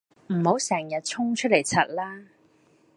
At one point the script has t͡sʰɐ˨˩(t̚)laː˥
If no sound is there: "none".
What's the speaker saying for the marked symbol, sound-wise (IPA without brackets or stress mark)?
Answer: t̚